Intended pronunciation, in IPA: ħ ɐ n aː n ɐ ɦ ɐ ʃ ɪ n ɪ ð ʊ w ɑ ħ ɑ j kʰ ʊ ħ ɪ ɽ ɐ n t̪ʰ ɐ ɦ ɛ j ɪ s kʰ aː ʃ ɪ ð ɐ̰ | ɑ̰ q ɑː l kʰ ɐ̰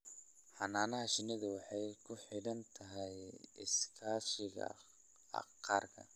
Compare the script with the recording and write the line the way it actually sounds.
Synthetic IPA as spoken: ħ ɑ n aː n ɐ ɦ ɐ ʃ ɪ n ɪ ð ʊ w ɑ ħ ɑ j kʰ ʊ ħ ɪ ɽ ɐ n t̪ʰ ɐ ɦ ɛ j ɪ s kʰ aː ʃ ɪ ɣ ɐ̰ | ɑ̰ q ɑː r kʰ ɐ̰